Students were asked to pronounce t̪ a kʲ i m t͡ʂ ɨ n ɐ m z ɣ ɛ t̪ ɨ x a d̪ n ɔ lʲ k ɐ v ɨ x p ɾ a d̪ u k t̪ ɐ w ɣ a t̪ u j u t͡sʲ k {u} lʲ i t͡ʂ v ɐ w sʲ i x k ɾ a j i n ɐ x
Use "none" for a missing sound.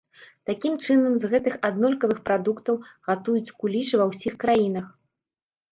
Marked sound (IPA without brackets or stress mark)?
u